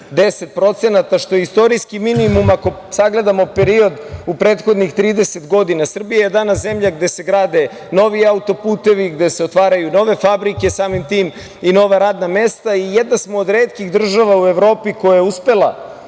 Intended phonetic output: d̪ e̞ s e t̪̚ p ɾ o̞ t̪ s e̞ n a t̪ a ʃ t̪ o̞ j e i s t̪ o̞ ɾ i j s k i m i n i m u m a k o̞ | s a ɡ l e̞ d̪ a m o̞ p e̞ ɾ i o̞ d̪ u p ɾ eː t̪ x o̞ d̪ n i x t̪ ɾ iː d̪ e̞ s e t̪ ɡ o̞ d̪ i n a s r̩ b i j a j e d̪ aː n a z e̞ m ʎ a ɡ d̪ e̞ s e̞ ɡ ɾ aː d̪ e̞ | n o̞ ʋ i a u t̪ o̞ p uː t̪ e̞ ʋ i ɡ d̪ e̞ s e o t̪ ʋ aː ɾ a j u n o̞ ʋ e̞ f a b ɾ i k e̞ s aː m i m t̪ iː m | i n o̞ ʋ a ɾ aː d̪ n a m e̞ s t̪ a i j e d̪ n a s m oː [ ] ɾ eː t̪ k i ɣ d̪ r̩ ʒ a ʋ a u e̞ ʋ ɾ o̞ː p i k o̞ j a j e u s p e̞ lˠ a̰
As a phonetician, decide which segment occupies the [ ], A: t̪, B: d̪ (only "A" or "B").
B